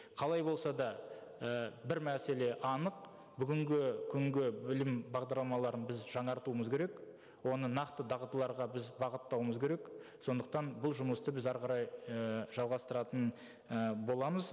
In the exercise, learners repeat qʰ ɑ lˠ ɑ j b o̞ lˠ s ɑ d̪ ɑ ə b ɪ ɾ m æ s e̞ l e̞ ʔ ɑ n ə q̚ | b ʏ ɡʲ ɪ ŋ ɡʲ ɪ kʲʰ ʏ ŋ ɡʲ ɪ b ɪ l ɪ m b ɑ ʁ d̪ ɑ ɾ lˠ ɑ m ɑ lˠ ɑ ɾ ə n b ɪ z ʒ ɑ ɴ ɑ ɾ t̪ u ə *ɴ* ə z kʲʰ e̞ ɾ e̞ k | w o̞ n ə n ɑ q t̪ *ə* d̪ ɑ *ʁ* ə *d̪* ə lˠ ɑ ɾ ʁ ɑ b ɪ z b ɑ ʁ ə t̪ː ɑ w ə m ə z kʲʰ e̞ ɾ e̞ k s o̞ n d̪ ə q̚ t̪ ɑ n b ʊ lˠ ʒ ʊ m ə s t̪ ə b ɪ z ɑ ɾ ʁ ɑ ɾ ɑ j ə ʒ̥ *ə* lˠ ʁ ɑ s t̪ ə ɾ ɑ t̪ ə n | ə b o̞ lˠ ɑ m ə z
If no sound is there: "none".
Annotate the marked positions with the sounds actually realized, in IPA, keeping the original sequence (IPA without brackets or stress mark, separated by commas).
m, ə, ʁ, t̪, ɑ